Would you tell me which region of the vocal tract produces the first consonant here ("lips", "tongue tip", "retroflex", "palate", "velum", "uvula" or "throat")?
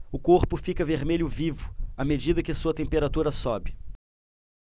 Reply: velum